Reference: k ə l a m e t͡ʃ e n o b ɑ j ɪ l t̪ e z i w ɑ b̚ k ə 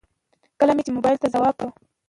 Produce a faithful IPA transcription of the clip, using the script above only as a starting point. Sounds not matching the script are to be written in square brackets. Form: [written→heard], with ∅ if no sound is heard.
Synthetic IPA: k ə l a m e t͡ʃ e [n→m] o b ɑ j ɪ l t̪ [e→a] z [i→a] w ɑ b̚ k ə